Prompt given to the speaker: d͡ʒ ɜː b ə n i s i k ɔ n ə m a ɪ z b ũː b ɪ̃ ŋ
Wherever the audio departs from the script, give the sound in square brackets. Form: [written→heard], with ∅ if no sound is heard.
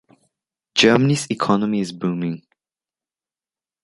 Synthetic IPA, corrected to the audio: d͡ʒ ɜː [b→m] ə n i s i [k→kʰ] ɔ n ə m [a→i] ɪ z b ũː [b→m] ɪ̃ ŋ